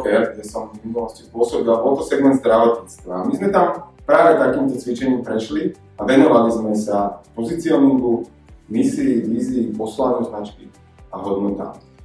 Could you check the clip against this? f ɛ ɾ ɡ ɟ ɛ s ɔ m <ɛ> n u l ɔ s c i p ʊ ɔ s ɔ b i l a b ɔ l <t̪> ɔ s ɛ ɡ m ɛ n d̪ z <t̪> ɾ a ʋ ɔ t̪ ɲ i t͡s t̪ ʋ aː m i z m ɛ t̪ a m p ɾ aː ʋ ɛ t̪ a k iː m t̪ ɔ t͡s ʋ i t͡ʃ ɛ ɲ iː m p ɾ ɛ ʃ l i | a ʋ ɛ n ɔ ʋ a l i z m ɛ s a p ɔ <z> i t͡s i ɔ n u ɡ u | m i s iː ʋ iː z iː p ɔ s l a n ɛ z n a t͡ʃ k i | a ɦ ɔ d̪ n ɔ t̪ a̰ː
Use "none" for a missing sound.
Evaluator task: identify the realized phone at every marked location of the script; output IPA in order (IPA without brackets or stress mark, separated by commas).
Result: i, t̪, d̪, z